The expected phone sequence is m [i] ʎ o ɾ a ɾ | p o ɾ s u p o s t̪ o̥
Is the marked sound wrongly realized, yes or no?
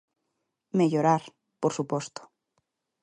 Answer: yes